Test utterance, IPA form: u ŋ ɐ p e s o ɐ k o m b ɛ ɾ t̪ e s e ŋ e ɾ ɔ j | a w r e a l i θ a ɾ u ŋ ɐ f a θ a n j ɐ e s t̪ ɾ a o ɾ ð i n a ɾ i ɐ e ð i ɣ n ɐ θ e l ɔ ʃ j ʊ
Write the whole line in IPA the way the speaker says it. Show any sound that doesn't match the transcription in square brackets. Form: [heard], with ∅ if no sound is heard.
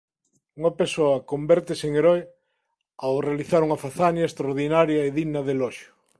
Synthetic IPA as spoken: u ŋ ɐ p e s o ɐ k o m b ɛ ɾ t̪ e s e ŋ e ɾ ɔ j | a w r e a l i θ a ɾ u ŋ ɐ f a θ a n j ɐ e s t̪ ɾ a o ɾ ð i n a ɾ [j] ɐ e ð i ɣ n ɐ [ð] e l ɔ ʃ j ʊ